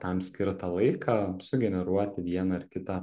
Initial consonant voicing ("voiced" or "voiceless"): voiceless